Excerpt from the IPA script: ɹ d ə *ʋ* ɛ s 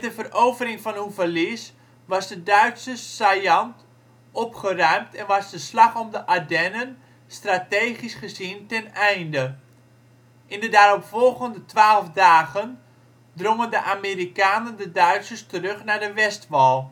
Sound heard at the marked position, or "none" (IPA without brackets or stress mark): ʋ